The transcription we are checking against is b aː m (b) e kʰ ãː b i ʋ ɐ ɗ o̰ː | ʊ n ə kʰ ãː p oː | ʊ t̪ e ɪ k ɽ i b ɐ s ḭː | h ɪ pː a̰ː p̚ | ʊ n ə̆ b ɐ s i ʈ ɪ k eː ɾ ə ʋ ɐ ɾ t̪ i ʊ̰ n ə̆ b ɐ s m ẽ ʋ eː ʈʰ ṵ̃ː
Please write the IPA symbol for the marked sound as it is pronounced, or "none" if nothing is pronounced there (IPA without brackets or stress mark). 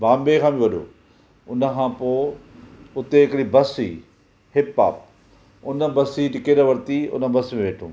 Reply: b